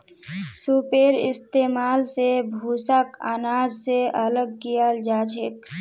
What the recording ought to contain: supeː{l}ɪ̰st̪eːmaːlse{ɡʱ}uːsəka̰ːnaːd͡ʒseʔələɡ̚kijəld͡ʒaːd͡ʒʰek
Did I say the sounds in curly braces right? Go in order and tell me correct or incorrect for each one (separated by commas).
incorrect, incorrect